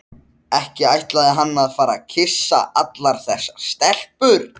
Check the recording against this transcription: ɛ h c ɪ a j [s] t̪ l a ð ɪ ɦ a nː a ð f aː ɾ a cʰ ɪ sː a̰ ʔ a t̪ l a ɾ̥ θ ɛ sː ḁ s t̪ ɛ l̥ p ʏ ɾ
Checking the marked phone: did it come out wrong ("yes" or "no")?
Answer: yes